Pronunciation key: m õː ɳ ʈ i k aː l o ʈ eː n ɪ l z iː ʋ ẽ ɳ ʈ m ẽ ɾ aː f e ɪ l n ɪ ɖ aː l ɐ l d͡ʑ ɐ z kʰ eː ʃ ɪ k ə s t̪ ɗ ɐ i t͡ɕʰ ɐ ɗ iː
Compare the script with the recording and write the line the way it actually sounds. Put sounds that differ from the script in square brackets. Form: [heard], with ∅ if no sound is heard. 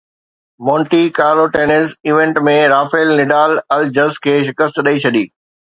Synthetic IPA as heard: m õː ɳ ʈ i k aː l o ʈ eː n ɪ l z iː ʋ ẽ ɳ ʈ m ẽ ɾ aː f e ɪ l n ɪ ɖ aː l ɐ l d͡ʑ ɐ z kʰ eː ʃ ɪ k ə s t̪ ɗ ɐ i t͡ɕʰ ɐ ɗ iː

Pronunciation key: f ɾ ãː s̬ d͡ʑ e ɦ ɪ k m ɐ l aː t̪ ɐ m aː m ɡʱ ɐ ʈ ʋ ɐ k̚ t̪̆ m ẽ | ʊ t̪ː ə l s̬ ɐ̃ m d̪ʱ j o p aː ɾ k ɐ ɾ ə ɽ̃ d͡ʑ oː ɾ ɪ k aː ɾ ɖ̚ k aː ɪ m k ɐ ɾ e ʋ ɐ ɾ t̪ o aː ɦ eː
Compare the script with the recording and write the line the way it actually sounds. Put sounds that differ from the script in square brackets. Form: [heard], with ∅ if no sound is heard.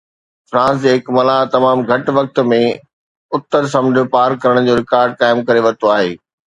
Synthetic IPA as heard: f ɾ ãː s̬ d͡ʑ e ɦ ɪ k m ɐ l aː t̪ ɐ m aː m ɡʱ ɐ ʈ ʋ ɐ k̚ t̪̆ m ẽ | ʊ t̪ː ə [ɾ] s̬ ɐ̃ m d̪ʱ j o p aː ɾ k ɐ ɾ ə ɽ̃ d͡ʑ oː ɾ ɪ k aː ɾ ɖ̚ k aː ɪ m k ɐ ɾ e ʋ ɐ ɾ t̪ o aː ɦ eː

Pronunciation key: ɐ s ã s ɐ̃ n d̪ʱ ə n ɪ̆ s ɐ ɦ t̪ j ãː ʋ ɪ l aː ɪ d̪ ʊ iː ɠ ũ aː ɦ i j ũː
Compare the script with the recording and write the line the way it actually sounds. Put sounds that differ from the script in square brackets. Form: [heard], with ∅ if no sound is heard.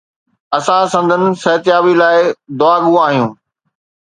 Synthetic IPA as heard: ɐ s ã s ɐ̃ n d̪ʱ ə n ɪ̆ s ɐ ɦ t̪ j [aː] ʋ [i] l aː ɪ d̪ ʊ [aː] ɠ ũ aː ɦ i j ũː

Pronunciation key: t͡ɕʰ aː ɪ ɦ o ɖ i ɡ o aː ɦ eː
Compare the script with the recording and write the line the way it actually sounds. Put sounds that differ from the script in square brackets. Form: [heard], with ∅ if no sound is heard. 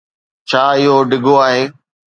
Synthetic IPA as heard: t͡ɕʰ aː ɪ ɦ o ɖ [ɪ] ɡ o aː ɦ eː

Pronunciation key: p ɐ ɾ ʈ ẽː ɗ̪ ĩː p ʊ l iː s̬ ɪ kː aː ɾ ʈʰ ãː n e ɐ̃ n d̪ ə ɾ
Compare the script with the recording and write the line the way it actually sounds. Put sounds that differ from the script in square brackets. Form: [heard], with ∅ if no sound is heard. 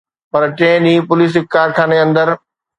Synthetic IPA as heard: p ɐ ɾ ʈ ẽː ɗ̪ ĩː p ʊ l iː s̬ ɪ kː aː ɾ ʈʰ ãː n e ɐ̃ n d̪ ə ɾ

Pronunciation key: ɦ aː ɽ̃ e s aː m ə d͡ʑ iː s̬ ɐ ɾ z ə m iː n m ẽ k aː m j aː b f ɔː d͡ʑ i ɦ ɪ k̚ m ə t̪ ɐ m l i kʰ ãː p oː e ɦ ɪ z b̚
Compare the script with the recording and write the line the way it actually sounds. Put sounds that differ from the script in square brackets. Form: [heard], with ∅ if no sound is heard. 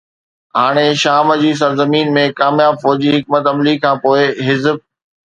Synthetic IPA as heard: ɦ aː ɽ̃ e [ʃ] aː m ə d͡ʑ iː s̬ ɐ ɾ z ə m iː n m ẽ k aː m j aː b f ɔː d͡ʑ i ɦ ɪ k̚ m ə t̪ ɐ m l i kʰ ãː p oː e ɦ ɪ z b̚

